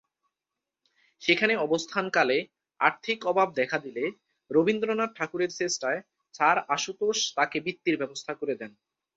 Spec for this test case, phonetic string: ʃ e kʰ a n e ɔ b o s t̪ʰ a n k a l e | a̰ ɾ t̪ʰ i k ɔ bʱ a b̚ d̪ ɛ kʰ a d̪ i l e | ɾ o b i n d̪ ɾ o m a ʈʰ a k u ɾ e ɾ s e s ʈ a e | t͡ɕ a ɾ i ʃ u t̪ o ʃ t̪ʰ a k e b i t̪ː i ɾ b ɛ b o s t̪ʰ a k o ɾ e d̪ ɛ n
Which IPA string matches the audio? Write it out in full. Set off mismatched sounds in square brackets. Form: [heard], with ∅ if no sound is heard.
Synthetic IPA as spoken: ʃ e kʰ a n e ɔ b o s t̪ʰ a n k a l e | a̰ ɾ t̪ʰ i k ɔ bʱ a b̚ d̪ ɛ kʰ a d̪ i l e | ɾ o b i n d̪ ɾ o [n] a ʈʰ a k u ɾ e ɾ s e s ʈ a e | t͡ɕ a ɾ [a] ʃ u t̪ o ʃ [t̪] a k e b i t̪ː i ɾ b ɛ b o s t̪ʰ a k o ɾ e d̪ ɛ n